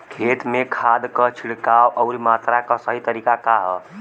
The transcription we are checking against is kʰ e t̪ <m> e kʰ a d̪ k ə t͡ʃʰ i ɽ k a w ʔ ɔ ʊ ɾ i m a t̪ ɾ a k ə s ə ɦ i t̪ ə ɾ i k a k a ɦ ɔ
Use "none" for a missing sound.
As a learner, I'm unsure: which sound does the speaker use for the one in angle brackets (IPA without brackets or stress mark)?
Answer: m